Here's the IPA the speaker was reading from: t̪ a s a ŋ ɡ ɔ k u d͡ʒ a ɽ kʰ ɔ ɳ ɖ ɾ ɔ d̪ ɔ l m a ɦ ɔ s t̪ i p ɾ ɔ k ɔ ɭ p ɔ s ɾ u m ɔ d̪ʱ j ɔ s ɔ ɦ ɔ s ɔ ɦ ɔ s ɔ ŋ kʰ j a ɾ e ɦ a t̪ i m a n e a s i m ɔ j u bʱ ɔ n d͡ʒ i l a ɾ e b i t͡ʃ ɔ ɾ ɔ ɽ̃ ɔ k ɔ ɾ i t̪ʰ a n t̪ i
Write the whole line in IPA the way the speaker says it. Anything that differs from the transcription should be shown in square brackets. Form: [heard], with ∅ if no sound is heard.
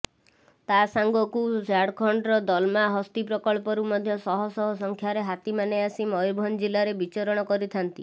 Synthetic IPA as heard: t̪ a s a ŋ ɡ ɔ k u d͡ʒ a ɽ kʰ ɔ ɳ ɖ ɾ ɔ d̪ ɔ l m a ɦ ɔ s t̪ i p ɾ ɔ k ɔ ɭ p ɔ [∅] ɾ u m ɔ d̪ʱ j ɔ s ɔ ɦ ɔ s ɔ ɦ ɔ s ɔ ŋ kʰ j a ɾ e ɦ a t̪ i m a n e a s i m ɔ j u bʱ ɔ n d͡ʒ i l a ɾ e b i t͡ʃ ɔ ɾ ɔ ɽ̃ ɔ k ɔ ɾ i t̪ʰ a n t̪ i